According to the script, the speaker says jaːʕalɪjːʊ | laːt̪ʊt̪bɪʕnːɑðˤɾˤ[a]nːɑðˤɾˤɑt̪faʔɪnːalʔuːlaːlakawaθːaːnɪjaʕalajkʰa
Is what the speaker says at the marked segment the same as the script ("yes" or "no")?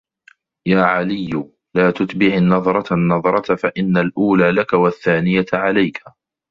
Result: no